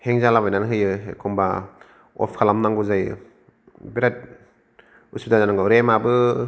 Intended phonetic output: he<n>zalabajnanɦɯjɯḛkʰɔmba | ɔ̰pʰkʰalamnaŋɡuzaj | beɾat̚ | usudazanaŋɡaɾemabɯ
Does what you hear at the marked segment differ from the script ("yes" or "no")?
yes